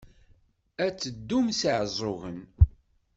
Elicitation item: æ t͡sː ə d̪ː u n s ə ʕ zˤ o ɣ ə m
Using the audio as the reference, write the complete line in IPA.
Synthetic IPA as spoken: æ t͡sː ə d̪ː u m s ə ʕ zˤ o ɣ ə n